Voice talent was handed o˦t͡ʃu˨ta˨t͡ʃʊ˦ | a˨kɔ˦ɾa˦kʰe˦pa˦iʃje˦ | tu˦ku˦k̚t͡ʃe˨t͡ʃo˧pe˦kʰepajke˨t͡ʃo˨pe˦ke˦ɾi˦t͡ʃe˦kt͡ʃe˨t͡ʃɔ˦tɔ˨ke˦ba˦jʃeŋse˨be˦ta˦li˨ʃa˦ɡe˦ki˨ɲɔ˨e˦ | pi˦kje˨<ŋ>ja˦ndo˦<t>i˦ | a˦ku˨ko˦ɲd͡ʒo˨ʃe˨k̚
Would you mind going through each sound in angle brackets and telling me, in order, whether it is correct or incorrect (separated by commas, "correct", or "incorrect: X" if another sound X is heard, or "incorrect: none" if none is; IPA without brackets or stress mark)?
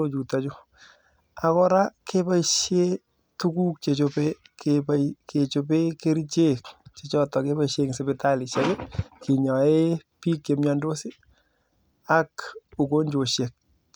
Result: incorrect: m, incorrect: s